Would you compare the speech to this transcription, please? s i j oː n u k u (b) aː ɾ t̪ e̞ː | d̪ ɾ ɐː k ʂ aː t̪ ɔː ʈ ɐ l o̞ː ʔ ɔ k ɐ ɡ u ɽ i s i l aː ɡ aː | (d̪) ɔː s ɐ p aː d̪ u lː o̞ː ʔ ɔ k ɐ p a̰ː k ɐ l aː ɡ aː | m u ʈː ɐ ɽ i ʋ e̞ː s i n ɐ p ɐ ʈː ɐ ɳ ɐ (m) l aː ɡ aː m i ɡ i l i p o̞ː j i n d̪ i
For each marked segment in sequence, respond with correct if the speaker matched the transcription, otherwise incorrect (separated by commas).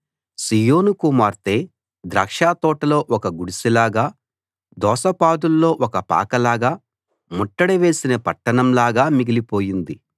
incorrect, correct, correct